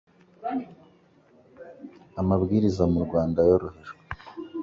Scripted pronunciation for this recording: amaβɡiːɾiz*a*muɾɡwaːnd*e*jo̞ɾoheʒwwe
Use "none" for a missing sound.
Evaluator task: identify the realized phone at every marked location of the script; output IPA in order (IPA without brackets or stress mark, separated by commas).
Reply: a, a